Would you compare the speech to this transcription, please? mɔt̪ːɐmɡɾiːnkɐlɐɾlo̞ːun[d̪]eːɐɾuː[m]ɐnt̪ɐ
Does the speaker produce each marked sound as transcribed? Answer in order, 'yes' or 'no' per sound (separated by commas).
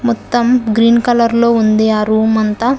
yes, yes